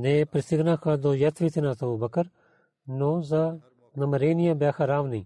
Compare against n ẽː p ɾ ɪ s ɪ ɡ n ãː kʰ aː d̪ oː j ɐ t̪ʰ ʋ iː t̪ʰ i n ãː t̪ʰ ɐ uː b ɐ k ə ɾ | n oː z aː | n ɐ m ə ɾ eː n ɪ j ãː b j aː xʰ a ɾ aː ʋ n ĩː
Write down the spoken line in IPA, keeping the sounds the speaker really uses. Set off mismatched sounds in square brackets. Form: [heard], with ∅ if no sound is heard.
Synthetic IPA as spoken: n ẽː p ɾ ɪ s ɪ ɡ n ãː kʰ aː d̪ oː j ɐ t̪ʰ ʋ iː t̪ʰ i n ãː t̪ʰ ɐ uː b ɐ k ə ɾ | n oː z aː | n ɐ m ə ɾ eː n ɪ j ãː b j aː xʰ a ɾ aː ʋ n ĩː